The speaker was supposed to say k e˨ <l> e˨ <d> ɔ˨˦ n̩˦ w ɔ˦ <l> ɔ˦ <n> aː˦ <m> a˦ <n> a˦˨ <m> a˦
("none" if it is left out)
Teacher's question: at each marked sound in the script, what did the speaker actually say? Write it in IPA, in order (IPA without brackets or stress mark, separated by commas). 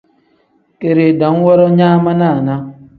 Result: ɾ, d, ɾ, ɲ, m, n, n